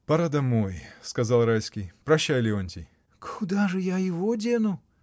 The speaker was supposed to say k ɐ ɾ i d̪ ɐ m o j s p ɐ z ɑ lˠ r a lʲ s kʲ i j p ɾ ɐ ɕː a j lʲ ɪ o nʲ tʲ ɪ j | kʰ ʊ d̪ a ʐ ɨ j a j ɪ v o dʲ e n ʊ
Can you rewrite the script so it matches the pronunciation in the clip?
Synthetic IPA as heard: p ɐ ɾ a d̪ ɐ m o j s k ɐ z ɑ lˠ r a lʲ s kʲ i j p ɾ ɐ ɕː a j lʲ ɪ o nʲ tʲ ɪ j | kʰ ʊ d̪ a ʐ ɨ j a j ɪ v o dʲ e n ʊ